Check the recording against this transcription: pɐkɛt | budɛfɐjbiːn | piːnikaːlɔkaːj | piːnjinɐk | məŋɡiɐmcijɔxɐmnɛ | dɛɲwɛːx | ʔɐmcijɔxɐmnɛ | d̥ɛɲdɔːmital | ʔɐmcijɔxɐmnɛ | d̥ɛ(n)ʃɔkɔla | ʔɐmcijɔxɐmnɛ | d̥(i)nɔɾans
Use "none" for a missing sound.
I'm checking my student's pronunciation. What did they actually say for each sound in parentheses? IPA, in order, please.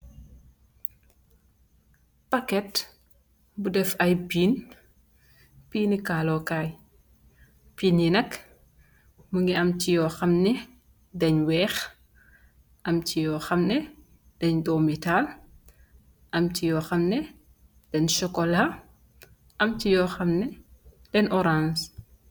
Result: n, ɛ

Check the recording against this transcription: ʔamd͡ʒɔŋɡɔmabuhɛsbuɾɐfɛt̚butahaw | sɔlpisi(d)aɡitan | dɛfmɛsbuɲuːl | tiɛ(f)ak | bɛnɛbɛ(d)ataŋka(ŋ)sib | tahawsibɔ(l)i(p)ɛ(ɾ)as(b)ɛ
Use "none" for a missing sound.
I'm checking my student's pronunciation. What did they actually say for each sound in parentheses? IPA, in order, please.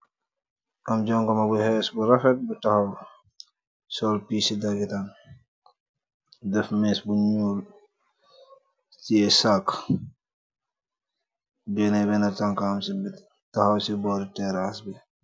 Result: d, s, n, m, ɾ, t, ɾ, b

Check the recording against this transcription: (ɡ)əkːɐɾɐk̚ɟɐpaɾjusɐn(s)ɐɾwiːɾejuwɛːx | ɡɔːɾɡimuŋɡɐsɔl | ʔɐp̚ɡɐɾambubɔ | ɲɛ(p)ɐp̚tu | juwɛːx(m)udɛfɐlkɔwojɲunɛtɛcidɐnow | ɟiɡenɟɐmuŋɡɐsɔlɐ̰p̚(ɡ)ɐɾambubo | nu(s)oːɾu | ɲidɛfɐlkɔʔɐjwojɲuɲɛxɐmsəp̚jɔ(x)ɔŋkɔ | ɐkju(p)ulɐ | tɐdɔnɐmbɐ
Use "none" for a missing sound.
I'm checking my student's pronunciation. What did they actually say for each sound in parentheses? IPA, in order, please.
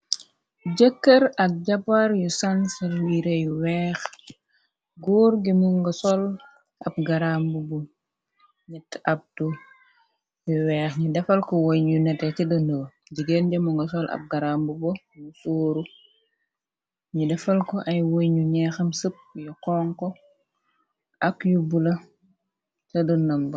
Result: ɟ, s, t, ɲ, ɡ, s, k, b

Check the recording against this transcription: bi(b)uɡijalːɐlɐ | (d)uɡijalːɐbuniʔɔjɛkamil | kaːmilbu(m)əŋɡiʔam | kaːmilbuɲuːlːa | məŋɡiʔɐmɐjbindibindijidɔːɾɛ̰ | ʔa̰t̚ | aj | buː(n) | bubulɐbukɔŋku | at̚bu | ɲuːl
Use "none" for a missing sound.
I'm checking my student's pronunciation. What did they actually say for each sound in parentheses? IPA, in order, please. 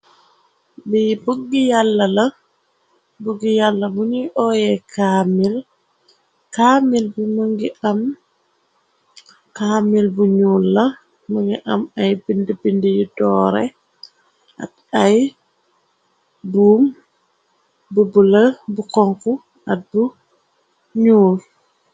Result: b, b, m, m

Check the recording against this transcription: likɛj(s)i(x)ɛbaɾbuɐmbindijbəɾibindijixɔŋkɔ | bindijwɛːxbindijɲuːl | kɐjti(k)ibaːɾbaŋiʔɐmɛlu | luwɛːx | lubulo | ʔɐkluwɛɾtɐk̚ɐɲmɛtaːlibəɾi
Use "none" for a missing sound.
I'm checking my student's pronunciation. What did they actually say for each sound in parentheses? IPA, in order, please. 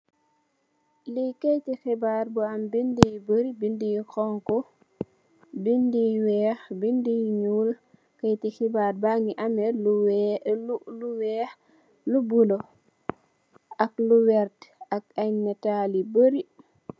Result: t, x, x

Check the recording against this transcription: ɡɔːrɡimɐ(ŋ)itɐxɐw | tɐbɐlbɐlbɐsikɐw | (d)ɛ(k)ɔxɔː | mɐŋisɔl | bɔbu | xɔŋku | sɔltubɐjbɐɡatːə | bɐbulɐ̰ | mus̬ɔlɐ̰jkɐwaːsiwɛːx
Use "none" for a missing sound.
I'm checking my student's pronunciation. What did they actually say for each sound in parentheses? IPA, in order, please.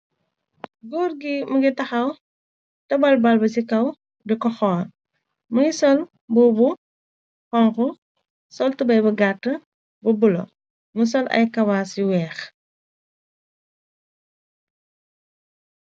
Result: ɡ, d, k

